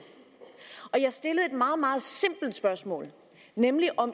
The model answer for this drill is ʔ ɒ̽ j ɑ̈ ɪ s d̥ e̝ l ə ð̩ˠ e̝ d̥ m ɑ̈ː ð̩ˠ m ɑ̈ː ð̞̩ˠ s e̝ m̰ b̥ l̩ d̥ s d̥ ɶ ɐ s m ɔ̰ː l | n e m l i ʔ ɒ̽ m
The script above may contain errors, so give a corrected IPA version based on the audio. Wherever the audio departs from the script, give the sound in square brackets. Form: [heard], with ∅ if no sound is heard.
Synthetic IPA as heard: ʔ ɒ̽ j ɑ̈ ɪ s d̥ e̝ l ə ð̩ˠ e̝ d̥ m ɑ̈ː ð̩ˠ m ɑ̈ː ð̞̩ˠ s e̝ m̰ b̥ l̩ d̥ s [b̥] ɶ ɐ s m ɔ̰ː l | n e m l i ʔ ɒ̽ m